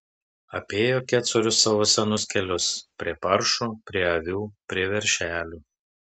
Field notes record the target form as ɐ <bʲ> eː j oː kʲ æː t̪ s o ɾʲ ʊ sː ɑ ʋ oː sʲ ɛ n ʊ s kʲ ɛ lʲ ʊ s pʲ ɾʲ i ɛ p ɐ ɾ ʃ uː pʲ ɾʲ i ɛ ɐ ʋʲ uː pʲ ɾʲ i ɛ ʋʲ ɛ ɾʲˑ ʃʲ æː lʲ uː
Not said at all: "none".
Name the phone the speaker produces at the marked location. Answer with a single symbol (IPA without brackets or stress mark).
pʲ